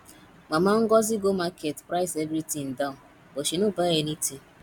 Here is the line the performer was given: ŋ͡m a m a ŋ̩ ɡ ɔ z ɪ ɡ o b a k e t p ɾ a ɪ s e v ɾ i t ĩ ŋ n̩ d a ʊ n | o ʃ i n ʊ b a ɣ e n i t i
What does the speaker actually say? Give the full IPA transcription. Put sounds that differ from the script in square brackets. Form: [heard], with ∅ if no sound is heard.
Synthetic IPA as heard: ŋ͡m a m a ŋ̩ ɡ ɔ z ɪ ɡ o [m] a k e t p ɾ a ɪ s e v ɾ i t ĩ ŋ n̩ d a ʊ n | o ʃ i n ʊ b a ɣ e n i t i